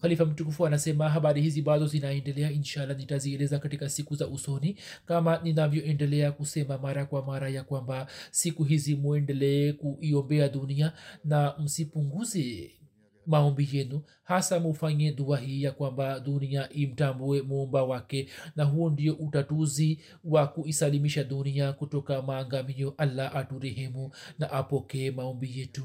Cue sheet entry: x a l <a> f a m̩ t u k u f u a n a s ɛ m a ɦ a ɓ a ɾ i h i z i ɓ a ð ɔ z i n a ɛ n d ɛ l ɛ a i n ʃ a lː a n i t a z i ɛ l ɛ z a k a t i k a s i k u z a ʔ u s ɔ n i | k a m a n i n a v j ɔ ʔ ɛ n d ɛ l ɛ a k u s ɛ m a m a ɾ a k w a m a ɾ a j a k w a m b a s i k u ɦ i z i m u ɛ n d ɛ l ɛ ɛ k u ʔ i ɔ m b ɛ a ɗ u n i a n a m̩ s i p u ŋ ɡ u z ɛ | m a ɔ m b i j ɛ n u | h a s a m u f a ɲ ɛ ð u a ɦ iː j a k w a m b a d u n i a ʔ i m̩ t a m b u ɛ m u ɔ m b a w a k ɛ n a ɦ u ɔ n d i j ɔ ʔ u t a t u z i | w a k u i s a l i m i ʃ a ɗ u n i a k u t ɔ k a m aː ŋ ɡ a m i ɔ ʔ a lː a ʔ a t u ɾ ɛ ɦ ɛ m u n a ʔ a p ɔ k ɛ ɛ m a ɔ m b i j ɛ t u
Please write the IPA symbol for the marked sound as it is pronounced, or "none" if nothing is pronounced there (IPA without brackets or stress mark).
i